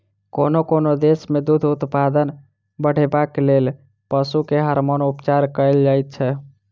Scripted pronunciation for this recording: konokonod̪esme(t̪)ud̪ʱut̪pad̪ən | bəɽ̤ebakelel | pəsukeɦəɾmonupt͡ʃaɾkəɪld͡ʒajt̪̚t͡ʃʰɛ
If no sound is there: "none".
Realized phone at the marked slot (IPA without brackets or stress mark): d̪